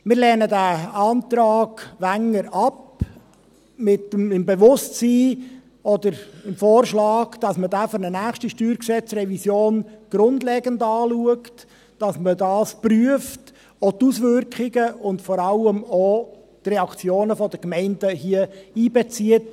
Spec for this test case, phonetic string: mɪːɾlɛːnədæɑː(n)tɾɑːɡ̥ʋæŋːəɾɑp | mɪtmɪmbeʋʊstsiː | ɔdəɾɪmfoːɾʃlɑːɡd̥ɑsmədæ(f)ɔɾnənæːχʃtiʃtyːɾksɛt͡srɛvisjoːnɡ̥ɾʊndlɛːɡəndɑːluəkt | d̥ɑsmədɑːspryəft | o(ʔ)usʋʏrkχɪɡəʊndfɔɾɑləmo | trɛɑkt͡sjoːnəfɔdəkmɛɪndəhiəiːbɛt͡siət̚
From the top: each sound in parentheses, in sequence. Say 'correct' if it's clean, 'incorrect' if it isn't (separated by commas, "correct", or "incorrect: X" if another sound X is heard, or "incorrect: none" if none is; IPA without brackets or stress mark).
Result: correct, correct, incorrect: t